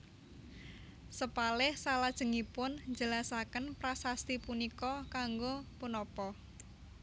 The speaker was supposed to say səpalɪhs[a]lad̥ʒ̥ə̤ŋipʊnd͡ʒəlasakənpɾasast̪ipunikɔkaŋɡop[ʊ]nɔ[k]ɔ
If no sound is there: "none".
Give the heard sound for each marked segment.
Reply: a, u, p

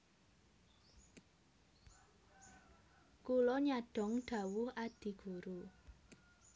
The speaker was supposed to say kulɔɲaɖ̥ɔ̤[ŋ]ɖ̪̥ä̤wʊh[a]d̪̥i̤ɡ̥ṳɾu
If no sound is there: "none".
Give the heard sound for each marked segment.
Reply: ŋ, a

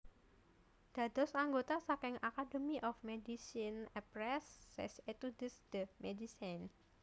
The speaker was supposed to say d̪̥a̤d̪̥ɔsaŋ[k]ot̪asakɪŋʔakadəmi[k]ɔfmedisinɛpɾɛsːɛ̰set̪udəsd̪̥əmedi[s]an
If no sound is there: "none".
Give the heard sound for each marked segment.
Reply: ɡ, ʔ, s

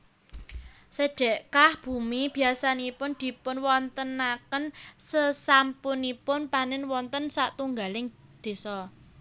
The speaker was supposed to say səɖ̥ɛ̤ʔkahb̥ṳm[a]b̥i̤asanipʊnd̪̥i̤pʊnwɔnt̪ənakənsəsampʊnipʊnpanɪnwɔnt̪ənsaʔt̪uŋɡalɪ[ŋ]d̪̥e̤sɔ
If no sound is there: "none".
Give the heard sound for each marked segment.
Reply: i, ŋ

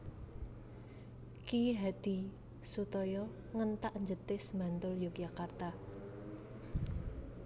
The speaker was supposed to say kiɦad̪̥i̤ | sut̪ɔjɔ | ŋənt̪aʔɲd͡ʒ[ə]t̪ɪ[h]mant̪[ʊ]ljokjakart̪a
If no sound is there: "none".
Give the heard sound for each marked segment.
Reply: ə, s, ʊ

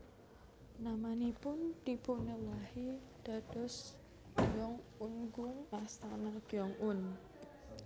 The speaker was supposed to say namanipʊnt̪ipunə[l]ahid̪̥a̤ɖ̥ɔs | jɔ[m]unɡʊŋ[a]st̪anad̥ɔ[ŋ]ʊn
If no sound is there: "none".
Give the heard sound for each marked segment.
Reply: l, ŋ, a, ŋ

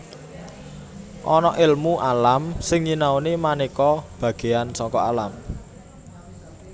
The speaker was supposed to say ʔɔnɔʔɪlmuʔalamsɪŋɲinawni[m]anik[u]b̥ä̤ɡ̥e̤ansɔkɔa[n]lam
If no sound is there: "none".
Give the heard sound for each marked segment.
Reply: m, ɔ, none

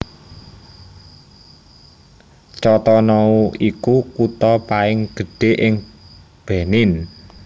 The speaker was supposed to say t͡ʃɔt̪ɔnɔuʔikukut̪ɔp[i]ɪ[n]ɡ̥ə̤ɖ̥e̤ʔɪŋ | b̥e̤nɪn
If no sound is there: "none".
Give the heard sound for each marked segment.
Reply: a, ŋ

